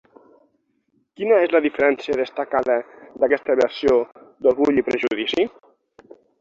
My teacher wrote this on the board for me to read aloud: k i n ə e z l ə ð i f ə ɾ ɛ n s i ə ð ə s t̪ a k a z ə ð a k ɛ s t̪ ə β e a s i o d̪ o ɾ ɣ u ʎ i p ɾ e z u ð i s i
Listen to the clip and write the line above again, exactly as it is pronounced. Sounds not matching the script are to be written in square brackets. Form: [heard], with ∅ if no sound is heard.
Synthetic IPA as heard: k i n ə e z l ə ð i f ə ɾ ɛ n s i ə ð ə s t̪ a k a [ð] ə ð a k ɛ s t̪ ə β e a s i o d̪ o ɾ ɣ u ʎ i p ɾ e [ʒ] u ð i s i